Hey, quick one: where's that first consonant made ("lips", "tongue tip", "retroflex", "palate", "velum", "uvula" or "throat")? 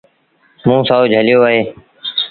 lips